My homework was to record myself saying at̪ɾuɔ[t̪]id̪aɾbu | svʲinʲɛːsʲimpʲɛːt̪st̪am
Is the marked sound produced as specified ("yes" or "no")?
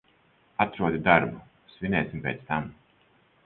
no